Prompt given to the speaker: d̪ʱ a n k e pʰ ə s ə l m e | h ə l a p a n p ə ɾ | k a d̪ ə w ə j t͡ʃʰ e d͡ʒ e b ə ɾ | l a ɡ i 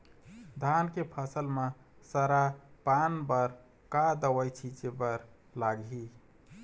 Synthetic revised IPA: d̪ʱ a n k e pʰ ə s ə l m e | s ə ɾ a p a n b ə ɾ | k a d̪ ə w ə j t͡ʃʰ i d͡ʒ e b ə ɾ | l a ɡ i